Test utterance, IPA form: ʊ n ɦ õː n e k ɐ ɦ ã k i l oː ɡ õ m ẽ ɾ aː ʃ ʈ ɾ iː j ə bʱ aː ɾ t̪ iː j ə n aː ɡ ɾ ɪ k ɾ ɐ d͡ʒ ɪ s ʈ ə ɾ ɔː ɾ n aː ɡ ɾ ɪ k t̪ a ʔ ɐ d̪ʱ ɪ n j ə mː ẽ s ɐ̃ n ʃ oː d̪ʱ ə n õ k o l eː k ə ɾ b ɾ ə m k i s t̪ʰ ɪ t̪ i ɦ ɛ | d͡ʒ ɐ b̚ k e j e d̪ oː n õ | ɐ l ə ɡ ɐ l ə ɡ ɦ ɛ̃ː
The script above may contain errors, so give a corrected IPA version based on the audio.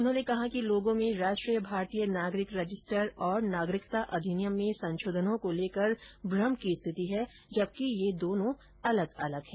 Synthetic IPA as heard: ʊ n ɦ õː n e k ɐ ɦ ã k i l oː ɡ õ m ẽ ɾ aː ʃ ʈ ɾ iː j ə bʱ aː ɾ t̪ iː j ə n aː ɡ ɾ ɪ k ɾ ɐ d͡ʒ ɪ s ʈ ə ɾ ɔː ɾ n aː ɡ ɾ ɪ k t̪ a ʔ ɐ d̪ʱ ɪ n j ə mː ẽ s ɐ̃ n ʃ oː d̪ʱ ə n õ k o l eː k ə ɾ b ɾ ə m k i s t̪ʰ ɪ t̪ i ɦ ɛ | d͡ʒ ɐ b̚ k i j e d̪ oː n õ | ɐ l ə ɡ ɐ l ə ɡ ɦ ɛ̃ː